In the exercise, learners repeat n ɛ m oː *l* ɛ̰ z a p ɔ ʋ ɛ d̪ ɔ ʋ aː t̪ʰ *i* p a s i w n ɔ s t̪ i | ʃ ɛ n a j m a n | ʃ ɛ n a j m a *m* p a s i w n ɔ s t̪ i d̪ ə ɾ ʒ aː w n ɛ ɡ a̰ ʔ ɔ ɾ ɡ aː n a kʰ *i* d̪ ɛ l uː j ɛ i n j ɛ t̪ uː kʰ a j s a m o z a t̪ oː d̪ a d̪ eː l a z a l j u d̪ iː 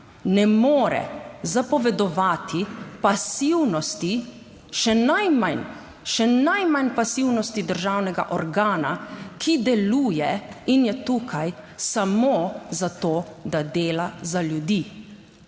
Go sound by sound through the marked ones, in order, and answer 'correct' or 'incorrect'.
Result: incorrect: ɾ, correct, incorrect: n, correct

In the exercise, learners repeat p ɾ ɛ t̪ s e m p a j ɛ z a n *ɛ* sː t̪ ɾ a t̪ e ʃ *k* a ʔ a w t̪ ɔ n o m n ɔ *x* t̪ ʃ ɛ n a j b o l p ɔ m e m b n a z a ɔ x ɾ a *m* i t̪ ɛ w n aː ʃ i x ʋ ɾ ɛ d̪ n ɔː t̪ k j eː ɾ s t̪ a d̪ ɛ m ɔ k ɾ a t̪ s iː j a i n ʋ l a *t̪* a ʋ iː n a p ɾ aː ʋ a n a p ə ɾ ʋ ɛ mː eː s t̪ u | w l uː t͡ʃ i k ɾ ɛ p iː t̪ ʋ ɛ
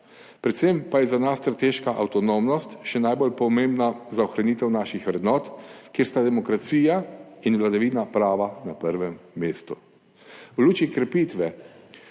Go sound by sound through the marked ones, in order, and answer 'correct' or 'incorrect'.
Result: incorrect: a, correct, incorrect: s, incorrect: n, incorrect: d̪

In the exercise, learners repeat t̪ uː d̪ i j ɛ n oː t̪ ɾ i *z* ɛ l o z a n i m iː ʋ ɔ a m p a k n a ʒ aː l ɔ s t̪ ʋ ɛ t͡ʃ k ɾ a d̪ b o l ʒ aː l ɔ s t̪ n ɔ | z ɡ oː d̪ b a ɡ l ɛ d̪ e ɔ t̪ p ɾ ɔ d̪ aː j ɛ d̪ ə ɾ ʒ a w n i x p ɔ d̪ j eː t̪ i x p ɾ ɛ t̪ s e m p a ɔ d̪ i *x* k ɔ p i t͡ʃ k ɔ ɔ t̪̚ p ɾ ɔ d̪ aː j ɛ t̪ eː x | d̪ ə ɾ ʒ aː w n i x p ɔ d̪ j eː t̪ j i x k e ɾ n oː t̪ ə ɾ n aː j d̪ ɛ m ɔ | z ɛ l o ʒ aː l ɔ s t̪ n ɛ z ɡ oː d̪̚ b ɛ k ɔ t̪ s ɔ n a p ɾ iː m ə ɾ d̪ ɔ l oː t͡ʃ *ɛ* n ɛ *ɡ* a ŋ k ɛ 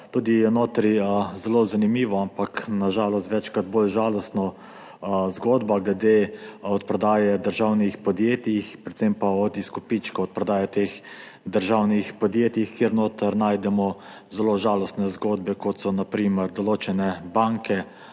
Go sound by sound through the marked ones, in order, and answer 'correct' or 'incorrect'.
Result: correct, incorrect: s, correct, incorrect: b

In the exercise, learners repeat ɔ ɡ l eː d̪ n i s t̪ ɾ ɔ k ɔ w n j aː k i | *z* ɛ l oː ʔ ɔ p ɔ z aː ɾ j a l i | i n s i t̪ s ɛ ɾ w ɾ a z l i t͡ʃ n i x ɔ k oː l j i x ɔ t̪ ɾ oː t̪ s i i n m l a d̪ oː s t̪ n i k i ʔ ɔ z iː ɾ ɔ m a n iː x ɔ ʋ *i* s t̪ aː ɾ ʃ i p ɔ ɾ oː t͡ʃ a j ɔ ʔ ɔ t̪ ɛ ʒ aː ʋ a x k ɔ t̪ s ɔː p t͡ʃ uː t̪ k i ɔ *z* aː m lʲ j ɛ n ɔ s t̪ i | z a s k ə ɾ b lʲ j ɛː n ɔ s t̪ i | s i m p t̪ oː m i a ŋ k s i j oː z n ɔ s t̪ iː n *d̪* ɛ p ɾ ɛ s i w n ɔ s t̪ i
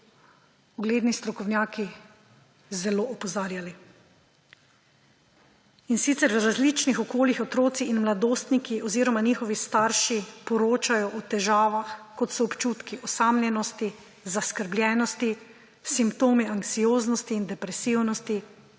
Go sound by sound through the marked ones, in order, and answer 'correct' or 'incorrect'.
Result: correct, correct, incorrect: s, correct

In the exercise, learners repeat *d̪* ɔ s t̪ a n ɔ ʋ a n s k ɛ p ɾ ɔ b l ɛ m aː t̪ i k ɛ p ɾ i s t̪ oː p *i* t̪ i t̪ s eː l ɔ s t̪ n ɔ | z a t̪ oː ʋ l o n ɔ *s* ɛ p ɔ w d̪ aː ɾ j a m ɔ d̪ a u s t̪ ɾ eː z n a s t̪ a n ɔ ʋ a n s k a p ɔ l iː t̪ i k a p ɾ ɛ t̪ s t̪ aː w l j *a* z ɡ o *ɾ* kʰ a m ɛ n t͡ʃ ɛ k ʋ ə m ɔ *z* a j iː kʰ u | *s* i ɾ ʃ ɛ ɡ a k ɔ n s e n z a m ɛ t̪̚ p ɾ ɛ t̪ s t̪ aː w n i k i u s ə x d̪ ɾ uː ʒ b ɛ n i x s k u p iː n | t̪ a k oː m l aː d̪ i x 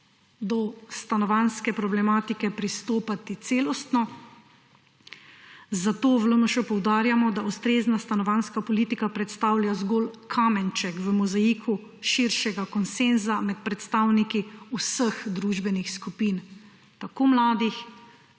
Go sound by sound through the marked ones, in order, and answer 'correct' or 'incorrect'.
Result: correct, incorrect: a, incorrect: ʃ, correct, incorrect: l, correct, incorrect: ʃ

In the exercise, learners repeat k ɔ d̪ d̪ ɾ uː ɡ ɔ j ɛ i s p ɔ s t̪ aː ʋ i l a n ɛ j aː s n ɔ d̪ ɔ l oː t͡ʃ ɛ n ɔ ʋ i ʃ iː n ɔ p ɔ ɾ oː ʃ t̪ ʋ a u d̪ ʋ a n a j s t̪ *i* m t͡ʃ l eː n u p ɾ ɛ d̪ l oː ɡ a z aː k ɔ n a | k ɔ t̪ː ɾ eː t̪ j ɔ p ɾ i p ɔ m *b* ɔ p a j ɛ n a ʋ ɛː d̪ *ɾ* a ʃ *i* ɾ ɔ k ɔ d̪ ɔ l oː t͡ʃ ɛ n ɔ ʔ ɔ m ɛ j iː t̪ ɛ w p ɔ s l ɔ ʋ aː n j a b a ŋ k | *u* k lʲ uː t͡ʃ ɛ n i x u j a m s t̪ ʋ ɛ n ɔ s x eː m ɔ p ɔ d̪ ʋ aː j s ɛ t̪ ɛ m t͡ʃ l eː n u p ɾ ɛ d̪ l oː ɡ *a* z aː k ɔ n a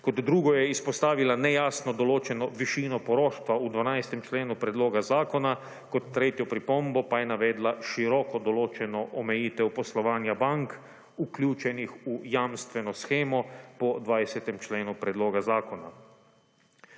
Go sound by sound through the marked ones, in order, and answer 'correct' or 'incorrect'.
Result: incorrect: ɛ, correct, incorrect: l, correct, correct, correct

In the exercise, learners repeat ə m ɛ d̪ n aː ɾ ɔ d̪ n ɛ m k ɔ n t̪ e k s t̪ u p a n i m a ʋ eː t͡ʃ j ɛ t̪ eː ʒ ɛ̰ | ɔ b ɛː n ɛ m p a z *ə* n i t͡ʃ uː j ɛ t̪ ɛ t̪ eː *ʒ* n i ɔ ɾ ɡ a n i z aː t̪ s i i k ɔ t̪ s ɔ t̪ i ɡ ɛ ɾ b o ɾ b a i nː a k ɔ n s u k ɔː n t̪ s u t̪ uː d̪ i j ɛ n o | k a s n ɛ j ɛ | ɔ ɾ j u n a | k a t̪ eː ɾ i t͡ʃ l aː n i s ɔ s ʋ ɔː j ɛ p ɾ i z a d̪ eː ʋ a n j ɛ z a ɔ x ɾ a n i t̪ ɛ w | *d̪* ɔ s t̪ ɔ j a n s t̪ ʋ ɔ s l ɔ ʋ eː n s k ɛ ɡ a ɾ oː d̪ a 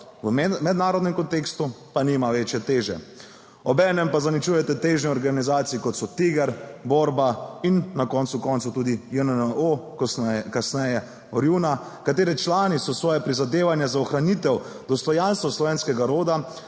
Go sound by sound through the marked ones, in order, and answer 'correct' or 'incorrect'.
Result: incorrect: a, correct, correct

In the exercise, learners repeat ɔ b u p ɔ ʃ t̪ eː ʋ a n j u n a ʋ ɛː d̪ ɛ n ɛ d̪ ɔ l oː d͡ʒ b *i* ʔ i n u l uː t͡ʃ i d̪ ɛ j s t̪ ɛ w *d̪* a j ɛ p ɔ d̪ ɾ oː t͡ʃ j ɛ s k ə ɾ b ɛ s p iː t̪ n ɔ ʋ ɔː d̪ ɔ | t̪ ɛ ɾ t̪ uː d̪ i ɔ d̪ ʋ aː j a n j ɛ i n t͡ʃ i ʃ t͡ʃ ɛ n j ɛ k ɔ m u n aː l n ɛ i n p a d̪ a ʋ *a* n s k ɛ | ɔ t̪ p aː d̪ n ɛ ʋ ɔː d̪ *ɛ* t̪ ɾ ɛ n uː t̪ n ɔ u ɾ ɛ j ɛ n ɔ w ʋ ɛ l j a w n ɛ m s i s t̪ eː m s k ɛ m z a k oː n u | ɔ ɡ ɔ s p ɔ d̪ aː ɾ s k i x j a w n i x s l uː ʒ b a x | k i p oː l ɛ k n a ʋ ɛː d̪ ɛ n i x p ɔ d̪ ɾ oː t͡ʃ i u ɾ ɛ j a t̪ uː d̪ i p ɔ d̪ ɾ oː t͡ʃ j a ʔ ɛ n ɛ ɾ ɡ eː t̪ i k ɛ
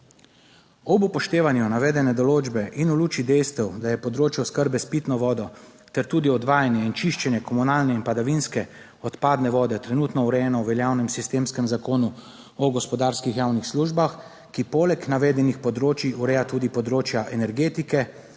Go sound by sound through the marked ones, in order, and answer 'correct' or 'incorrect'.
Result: incorrect: ɛ, correct, incorrect: i, correct

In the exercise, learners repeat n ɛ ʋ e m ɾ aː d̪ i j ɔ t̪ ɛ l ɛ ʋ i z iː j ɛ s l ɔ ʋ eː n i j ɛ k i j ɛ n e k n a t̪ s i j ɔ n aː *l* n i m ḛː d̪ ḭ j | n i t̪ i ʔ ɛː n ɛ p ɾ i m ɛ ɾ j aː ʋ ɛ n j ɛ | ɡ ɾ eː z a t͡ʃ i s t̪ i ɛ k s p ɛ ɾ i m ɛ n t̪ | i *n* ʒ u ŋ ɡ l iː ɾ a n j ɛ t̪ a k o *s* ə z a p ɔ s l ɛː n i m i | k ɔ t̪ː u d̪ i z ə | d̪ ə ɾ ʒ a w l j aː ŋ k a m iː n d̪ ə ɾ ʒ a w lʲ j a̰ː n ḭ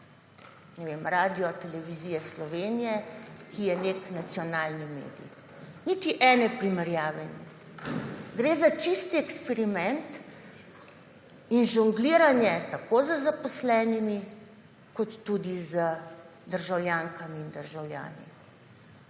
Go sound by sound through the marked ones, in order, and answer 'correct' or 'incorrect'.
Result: correct, correct, incorrect: z

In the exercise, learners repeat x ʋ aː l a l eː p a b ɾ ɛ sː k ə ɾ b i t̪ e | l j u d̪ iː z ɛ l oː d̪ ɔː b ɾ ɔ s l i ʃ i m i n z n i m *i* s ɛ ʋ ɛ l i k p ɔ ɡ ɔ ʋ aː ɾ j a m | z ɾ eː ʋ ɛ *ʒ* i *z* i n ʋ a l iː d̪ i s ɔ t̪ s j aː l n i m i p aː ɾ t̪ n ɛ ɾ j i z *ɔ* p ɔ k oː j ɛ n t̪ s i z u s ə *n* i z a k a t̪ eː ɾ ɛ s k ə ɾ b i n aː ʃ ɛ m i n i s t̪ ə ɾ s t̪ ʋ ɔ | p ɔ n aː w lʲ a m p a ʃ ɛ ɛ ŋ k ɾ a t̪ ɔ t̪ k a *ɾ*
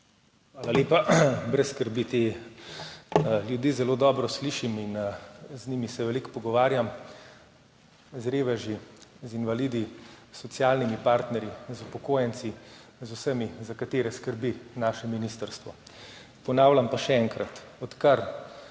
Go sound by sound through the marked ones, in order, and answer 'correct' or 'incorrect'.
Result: correct, correct, correct, incorrect: u, incorrect: m, correct

